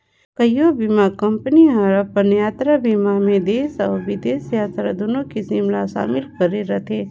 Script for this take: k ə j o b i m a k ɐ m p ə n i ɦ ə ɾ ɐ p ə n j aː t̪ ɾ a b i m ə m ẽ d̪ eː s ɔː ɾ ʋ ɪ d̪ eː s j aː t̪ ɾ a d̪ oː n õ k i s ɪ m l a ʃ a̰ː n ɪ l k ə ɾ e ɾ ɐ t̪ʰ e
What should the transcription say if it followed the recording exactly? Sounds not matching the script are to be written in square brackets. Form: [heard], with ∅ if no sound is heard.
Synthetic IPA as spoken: k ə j o b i m a k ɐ m p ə n i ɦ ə ɾ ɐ p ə n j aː t̪ ɾ a b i m [a] m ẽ d̪ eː s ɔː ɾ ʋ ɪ d̪ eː s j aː t̪ ɾ a d̪ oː n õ k i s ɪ m l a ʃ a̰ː [m] ɪ l k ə ɾ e ɾ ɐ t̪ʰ e